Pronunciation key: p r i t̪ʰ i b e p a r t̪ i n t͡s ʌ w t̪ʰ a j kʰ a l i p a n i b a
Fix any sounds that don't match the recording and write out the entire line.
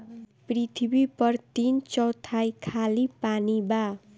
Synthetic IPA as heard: p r i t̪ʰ i b i p ʌ r t̪ i n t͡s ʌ w t̪ʰ a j kʰ a l i p a n i b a